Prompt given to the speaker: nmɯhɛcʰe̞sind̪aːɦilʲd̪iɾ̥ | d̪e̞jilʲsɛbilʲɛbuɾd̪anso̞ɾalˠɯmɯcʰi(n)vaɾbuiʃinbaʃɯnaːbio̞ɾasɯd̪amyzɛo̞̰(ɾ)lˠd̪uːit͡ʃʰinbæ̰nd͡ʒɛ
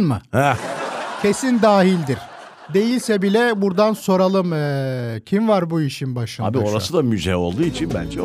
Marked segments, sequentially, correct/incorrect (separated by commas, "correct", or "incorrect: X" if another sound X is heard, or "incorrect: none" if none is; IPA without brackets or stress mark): incorrect: m, incorrect: none